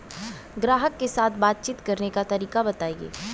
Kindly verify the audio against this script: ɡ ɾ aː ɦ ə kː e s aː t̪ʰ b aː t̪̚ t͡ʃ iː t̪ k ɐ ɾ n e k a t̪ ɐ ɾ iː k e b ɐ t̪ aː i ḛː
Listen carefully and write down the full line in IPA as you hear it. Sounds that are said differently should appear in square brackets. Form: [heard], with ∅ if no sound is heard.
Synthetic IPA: ɡ ɾ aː ɦ ə kː e s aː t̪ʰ b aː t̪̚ t͡ʃ iː t̪ k ɐ ɾ n e k a t̪ ɐ ɾ iː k [a] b ɐ t̪ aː i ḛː

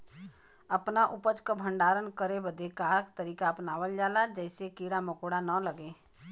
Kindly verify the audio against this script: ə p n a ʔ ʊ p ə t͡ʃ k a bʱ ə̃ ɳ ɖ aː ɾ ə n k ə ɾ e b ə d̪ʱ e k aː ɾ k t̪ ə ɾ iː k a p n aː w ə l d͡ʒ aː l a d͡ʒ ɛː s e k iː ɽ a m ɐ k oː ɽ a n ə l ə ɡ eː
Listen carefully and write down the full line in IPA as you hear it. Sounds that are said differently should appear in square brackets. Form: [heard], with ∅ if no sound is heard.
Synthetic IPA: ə p n a ʔ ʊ p ə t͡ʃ k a bʱ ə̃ ɳ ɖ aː ɾ ə n k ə ɾ e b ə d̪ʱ e k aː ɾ k t̪ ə ɾ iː k a p n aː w ə l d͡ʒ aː l a d͡ʒ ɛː s e k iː ɽ a m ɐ k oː ɽ a n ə l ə ɡ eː

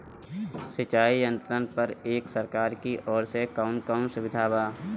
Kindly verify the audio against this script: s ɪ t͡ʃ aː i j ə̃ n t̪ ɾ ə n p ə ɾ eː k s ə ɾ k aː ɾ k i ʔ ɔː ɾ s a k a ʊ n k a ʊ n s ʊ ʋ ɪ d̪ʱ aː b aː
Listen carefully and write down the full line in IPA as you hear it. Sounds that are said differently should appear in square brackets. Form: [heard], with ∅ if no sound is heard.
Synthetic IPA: s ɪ t͡ʃ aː i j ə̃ n t̪ ɾ ə n p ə ɾ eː k s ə ɾ k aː ɾ k i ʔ ɔː ɾ s [e] k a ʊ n k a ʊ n s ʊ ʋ ɪ d̪ʱ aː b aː

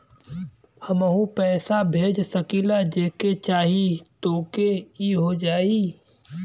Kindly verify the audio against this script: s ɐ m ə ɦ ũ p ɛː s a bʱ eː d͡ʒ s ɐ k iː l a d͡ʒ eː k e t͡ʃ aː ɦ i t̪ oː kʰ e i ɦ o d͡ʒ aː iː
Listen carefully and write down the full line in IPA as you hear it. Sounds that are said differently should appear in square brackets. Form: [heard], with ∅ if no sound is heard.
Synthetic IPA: [h] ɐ m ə ɦ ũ p ɛː s a bʱ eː d͡ʒ s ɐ k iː l a d͡ʒ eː k e t͡ʃ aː ɦ i t̪ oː [k] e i ɦ o d͡ʒ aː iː

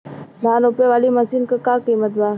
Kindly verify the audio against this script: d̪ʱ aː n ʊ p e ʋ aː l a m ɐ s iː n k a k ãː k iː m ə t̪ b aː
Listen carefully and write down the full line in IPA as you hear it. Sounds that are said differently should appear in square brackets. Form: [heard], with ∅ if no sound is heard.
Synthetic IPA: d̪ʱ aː n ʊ p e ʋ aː l [i] m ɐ s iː n k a k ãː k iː m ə t̪ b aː

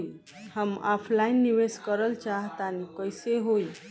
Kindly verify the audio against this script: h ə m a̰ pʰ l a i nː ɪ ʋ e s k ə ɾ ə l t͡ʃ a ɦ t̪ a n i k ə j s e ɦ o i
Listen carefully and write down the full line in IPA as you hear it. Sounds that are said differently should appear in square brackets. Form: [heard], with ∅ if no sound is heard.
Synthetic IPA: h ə m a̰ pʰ l a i nː [i] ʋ e s k ə ɾ ə l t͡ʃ a ɦ t̪ a n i k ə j s e ɦ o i

